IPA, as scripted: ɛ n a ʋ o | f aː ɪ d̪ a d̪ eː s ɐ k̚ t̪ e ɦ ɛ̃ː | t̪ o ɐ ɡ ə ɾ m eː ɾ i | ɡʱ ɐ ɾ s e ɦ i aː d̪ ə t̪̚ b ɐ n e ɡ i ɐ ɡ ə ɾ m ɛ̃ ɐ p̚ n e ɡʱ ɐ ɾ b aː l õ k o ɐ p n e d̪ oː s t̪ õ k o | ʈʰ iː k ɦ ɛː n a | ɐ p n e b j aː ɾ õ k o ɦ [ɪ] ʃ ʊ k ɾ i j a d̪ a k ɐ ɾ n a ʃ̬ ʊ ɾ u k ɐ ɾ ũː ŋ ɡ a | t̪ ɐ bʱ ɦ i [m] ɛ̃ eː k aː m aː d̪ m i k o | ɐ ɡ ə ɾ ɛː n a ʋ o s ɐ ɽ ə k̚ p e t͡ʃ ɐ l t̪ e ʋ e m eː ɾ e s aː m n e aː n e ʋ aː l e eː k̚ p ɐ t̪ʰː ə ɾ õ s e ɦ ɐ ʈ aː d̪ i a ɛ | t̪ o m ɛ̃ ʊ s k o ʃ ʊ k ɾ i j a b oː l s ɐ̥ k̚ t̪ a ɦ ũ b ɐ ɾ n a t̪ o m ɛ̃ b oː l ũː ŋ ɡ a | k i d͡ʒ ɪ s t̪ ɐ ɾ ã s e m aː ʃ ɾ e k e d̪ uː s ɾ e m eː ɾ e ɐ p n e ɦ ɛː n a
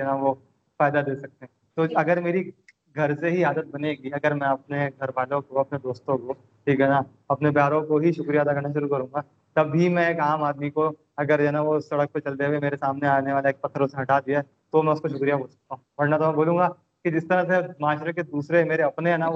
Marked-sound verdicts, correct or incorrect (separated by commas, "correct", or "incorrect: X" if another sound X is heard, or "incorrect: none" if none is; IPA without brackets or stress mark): incorrect: i, correct